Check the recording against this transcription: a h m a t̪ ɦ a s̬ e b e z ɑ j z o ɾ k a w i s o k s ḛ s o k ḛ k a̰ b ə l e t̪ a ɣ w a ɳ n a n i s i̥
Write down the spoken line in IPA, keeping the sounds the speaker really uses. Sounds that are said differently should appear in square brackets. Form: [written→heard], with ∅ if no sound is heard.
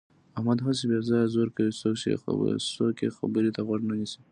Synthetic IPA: a h m a [t̪→d̪] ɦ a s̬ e b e z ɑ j z o ɾ k a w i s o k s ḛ s o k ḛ [k→x] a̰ b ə [l→ɾ] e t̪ a ɣ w a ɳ n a n i s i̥